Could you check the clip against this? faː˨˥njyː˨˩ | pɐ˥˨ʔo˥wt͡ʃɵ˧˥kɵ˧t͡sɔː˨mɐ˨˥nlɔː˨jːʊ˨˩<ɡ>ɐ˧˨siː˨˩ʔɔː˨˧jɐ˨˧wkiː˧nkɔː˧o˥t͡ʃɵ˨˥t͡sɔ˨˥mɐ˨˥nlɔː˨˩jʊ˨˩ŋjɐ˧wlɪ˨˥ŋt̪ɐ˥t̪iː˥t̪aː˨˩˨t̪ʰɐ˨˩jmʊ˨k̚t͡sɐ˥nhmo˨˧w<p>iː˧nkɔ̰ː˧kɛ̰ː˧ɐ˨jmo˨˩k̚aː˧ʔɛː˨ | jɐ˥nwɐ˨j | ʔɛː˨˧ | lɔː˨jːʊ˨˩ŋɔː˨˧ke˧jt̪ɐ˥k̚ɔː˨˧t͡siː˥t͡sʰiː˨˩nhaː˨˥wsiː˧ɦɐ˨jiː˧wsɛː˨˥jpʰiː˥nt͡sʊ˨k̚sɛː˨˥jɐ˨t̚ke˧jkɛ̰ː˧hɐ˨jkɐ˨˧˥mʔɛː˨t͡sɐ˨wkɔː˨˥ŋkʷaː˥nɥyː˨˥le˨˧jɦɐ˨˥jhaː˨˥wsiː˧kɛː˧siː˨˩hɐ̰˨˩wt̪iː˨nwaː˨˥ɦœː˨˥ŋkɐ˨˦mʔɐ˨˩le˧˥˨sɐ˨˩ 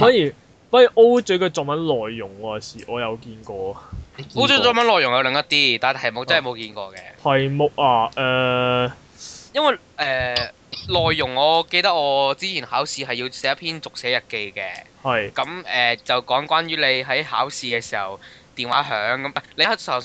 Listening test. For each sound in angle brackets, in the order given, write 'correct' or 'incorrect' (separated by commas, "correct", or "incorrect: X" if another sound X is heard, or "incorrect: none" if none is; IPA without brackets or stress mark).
incorrect: ŋ, incorrect: k